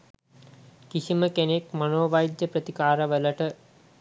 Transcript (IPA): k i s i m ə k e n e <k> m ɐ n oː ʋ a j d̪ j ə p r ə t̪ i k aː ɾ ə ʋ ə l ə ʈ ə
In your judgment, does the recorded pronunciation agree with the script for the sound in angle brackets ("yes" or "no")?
yes